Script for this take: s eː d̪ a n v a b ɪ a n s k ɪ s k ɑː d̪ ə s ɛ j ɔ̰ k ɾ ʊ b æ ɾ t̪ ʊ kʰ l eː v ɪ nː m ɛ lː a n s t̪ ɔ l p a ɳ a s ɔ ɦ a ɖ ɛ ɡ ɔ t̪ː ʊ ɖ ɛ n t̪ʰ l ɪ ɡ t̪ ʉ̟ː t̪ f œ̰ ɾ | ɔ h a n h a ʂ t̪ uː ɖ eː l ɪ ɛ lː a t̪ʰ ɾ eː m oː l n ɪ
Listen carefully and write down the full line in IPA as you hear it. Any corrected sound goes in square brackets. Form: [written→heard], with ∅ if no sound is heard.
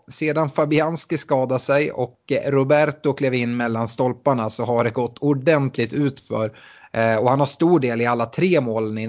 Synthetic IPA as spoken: s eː d̪ a n [v→f] a b ɪ a n s k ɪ s k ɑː d̪ [ə→a] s ɛ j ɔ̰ k ɾ ʊ b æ ɾ t̪ ʊ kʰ l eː v ɪ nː m ɛ lː a n s t̪ ɔ l p a ɳ a s ɔ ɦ a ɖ ɛ ɡ ɔ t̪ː ʊ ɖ ɛ n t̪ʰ l ɪ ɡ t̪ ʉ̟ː t̪ f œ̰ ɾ | ɔ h a n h a ʂ t̪ uː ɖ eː l ɪ [ɛ→a] lː a t̪ʰ ɾ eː m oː l n ɪ